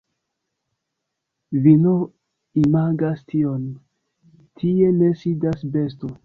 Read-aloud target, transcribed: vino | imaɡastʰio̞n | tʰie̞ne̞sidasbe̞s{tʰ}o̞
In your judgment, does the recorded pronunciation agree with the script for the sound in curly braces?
no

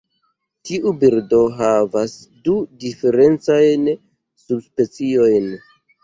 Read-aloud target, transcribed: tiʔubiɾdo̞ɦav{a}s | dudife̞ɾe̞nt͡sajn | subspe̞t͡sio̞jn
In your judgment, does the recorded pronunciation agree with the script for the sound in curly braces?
yes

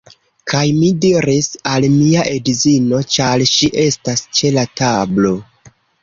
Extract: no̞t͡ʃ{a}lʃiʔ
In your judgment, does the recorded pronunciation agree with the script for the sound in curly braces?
yes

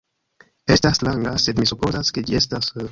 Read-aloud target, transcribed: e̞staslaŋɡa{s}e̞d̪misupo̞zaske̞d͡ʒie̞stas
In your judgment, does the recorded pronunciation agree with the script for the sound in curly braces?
yes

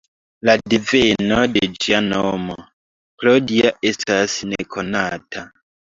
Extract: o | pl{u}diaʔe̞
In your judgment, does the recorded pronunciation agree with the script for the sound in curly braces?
no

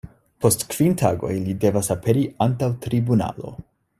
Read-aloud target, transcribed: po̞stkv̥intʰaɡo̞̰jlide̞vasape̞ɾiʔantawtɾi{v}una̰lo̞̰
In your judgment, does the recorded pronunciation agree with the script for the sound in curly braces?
no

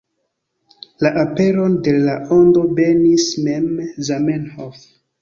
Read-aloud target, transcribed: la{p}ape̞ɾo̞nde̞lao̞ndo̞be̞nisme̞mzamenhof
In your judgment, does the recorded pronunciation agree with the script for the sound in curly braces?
no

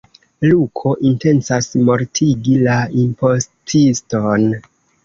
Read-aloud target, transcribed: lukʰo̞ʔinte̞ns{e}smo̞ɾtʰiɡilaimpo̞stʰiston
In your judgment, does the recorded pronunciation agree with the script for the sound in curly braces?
no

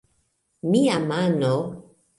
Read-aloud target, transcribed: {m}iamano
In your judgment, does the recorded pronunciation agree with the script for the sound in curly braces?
yes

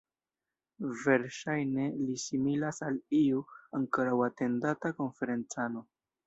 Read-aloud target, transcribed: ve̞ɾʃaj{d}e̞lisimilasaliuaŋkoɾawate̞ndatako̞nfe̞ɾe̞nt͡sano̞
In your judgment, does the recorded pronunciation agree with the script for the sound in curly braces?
no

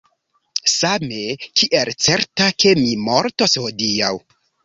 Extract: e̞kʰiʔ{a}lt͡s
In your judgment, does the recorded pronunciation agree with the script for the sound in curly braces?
no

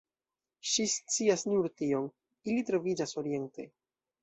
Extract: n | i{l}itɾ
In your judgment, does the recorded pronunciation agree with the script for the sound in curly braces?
yes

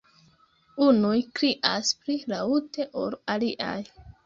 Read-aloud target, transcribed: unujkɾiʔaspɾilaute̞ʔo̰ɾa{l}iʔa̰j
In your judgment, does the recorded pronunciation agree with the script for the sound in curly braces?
yes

